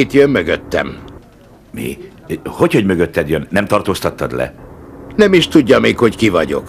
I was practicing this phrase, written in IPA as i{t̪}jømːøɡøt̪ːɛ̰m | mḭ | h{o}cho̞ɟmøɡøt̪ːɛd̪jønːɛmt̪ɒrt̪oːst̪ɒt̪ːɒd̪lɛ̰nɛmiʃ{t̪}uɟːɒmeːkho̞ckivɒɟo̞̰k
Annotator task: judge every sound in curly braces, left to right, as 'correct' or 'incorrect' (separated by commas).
correct, correct, correct